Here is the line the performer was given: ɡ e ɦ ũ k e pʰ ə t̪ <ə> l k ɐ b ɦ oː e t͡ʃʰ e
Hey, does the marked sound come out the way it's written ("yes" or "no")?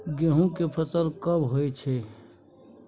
yes